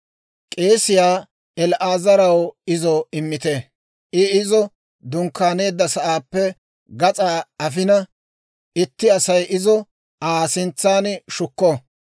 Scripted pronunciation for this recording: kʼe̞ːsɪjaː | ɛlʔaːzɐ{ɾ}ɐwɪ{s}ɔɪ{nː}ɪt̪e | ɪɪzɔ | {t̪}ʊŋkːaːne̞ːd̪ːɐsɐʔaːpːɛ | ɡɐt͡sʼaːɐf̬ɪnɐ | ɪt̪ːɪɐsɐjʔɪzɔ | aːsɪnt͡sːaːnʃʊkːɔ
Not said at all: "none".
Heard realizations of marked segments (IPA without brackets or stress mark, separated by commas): ɾ, z, mː, d̪